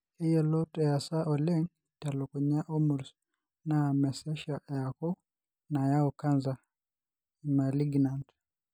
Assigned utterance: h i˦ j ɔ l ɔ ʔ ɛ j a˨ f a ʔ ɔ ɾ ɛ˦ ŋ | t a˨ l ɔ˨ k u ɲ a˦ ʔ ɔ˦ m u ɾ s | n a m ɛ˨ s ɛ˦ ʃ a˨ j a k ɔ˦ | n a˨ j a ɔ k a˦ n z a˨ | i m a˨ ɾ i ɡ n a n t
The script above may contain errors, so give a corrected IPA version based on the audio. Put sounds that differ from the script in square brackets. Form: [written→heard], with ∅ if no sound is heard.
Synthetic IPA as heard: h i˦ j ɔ l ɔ [ʔ→t] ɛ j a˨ [f→s] a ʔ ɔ [ɾ→l] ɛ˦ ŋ | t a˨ l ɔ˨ k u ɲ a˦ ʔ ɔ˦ m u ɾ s | n a m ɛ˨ s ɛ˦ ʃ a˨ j a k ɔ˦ | n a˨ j a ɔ k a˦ n z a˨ | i m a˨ [ɾ→l] i ɡ n a n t